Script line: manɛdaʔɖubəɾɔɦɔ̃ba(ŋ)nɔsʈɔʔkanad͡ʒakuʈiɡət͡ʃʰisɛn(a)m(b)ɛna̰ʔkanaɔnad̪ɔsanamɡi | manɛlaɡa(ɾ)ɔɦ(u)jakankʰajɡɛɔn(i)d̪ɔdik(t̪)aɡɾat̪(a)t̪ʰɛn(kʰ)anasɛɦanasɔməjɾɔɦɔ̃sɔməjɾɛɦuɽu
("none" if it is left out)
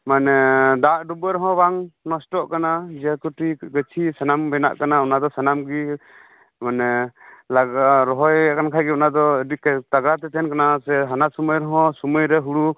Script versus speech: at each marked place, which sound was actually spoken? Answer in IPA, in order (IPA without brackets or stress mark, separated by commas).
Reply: ŋ, a, b, ɾ, ɔ, a, t̪, ɛ, k